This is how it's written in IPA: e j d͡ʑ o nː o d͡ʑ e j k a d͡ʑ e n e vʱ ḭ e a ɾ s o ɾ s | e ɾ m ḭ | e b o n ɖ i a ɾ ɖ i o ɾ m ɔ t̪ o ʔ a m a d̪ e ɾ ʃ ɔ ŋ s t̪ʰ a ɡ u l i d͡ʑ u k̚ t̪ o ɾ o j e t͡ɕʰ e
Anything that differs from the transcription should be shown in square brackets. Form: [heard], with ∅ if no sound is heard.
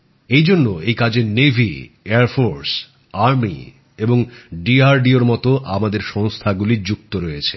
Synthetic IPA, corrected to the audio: e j d͡ʑ o nː o [∅] e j k a d͡ʑ e n e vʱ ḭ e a ɾ [f] o ɾ s | [a] ɾ m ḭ | e b o [ŋ] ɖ i a ɾ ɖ i o ɾ m ɔ t̪ o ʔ a m a d̪ e ɾ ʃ ɔ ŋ s t̪ʰ a ɡ u l i d͡ʑ u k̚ t̪ o ɾ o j e t͡ɕʰ e